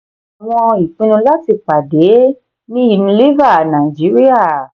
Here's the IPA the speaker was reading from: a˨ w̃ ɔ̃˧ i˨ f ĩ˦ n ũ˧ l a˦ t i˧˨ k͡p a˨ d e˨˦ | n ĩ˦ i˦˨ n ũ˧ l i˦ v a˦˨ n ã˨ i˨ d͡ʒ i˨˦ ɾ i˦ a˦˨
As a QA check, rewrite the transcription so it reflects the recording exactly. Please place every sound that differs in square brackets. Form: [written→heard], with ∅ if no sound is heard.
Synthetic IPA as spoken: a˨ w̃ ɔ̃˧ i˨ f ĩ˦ n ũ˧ l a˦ t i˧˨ k͡p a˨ d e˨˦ | n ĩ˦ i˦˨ n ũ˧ l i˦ v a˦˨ n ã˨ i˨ d͡ʒ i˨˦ ɾ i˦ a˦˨